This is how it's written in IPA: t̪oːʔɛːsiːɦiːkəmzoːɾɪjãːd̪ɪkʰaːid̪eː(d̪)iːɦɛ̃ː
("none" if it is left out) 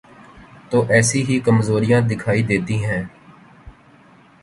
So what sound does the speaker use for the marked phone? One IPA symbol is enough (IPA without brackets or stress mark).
t̪